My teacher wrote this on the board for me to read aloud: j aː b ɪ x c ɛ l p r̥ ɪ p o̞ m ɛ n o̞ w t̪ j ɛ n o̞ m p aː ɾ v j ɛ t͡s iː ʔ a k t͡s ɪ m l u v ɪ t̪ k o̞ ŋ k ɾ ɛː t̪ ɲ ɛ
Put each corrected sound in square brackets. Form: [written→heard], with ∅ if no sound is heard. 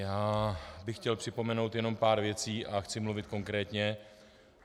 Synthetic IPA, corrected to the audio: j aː b ɪ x c ɛ l p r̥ ɪ p o̞ m ɛ n o̞ w t̪ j ɛ n o̞ m p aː ɾ v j ɛ t͡s iː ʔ a [k→x] t͡s ɪ m l u v ɪ t̪ k o̞ ŋ k ɾ ɛː t̪ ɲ ɛ